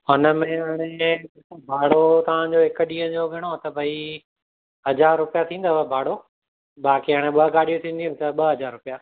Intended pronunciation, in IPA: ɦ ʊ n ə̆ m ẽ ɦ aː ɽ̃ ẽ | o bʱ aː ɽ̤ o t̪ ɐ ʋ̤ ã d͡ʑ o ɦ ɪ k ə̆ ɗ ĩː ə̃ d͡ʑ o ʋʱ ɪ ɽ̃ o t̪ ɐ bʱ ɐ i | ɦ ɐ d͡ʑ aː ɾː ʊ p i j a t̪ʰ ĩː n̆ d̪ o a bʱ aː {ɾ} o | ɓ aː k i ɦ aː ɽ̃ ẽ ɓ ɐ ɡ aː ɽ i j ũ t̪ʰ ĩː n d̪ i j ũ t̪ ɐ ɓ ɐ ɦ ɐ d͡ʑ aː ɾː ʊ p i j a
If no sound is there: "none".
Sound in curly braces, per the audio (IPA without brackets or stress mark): ɽ